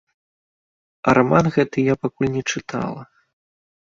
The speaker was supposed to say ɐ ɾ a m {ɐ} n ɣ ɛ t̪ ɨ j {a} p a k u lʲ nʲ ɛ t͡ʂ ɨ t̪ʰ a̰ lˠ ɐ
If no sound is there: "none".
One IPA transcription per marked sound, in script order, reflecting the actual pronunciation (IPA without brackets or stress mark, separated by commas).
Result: a, a